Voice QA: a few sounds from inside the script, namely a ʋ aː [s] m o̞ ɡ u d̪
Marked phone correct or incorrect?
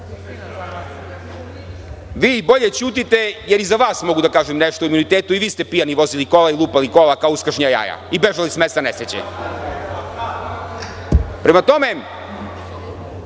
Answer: correct